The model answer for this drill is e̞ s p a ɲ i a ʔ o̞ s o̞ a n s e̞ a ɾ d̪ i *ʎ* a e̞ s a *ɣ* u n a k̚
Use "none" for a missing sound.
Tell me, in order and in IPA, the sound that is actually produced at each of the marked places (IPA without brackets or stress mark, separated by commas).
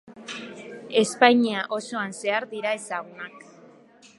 ɾ, ɣ